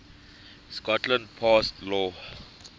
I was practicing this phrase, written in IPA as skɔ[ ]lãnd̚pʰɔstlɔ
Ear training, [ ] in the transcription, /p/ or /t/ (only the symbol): t